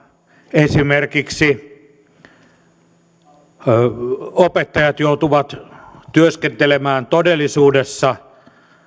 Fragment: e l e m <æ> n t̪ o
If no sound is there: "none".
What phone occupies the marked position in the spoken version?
æː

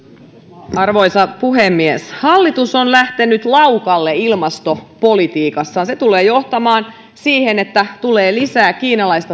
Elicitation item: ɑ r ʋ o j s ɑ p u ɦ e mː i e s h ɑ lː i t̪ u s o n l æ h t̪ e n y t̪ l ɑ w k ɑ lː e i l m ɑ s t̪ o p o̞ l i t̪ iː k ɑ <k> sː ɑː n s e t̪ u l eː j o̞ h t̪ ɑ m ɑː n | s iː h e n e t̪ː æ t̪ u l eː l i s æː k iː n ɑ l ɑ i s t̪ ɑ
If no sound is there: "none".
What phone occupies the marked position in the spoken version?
none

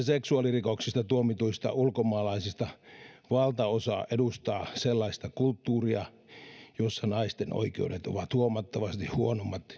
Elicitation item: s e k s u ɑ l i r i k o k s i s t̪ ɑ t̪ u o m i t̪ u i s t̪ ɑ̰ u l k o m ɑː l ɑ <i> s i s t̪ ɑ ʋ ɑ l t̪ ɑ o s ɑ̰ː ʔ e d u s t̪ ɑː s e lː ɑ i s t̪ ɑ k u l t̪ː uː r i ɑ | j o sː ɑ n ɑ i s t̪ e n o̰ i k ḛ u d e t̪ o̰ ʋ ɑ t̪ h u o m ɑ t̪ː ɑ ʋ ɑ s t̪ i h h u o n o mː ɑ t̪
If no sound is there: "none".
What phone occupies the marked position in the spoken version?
i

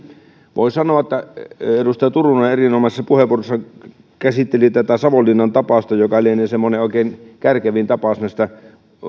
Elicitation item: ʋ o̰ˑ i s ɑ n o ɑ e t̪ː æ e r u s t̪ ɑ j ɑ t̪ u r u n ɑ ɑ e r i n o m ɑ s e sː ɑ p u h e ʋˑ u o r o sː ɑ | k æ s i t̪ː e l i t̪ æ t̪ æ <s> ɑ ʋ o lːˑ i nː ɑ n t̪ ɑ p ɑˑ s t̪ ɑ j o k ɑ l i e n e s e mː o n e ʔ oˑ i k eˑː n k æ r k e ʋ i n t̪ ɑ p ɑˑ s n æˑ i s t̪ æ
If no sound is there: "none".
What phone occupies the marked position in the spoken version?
s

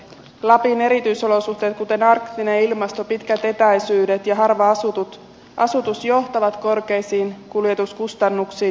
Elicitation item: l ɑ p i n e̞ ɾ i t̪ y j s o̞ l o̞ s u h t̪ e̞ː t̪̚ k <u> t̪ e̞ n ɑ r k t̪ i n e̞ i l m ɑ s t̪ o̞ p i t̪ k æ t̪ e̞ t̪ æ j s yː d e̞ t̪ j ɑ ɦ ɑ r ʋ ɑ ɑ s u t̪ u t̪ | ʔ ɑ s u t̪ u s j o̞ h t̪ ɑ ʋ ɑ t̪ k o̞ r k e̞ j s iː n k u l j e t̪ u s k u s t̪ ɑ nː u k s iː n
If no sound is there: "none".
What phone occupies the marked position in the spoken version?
u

